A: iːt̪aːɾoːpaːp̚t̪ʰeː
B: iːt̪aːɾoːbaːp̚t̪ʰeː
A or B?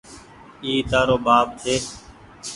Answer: B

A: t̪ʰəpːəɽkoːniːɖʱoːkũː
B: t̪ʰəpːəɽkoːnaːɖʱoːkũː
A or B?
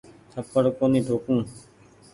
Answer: A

